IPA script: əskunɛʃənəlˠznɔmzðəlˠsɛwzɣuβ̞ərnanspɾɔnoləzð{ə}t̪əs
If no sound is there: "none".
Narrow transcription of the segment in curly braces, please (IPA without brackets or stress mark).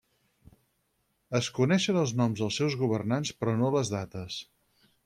a